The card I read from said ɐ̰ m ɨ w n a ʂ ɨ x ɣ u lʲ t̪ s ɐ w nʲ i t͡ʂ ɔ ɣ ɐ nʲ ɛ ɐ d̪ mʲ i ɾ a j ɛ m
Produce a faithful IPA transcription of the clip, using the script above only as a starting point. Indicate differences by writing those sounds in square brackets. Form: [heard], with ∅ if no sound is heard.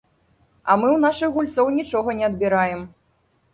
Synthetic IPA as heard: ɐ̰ m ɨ w n a ʂ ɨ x ɣ u lʲ t̪ s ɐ w nʲ i t͡ʂ ɔ ɣ ɐ nʲ ɛ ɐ d̪ [bʲ] i ɾ a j ɛ m